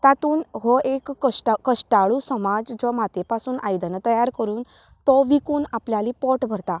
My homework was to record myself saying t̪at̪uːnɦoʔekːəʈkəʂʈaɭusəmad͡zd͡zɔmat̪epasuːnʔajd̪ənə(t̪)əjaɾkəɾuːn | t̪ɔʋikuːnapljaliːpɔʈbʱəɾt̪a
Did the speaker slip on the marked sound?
no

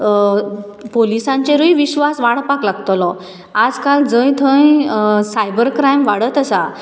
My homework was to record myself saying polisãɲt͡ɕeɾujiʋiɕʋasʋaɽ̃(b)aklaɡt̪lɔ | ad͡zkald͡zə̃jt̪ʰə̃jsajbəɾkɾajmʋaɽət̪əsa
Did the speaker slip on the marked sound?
yes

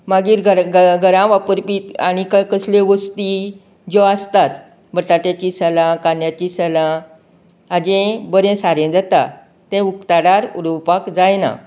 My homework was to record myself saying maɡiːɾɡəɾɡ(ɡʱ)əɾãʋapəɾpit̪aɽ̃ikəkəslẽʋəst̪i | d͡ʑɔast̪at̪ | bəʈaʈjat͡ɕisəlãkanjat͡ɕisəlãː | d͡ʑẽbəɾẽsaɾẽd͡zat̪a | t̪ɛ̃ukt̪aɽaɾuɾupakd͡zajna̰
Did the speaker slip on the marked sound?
no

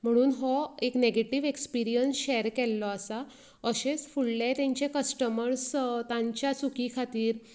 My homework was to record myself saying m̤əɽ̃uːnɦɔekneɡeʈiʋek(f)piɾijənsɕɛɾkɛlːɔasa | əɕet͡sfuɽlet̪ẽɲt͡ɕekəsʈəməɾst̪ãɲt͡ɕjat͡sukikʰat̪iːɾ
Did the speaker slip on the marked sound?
yes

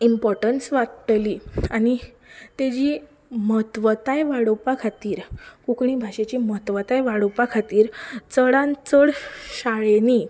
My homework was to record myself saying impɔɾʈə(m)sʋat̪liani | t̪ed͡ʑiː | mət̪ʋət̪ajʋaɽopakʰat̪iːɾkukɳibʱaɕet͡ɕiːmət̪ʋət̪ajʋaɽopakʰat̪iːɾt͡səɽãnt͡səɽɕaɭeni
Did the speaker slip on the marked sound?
yes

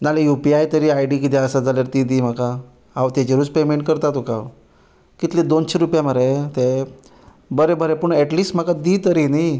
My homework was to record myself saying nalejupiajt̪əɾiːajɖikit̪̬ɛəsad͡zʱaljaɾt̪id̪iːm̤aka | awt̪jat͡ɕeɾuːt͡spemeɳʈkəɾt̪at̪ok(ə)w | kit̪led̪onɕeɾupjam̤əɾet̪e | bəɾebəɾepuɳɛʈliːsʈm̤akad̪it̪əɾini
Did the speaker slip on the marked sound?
yes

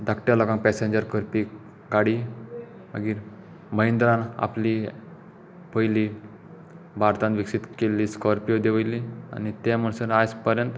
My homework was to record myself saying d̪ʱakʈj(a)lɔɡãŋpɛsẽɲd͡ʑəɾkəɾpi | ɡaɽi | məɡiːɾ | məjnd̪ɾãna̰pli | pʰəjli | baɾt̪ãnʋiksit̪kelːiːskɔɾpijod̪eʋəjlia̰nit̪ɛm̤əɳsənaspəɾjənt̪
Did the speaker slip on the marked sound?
no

